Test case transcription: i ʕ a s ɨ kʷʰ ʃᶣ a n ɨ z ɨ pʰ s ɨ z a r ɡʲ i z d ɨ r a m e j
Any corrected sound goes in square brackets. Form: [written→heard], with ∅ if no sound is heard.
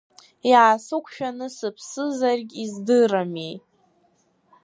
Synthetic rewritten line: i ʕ a s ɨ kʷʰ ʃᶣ a n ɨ [z→s] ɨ pʰ s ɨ z a r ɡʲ i z d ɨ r a m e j